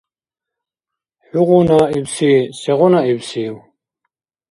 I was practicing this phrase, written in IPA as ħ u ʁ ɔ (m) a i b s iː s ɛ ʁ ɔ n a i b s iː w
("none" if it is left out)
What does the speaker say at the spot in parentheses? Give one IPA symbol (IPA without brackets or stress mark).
n